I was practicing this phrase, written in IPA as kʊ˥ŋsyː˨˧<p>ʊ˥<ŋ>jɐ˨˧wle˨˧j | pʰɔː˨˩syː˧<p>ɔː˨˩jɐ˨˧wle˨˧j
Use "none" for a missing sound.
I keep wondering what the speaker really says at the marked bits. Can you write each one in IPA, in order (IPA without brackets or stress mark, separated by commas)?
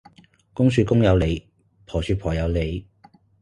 k, ŋ, pʰ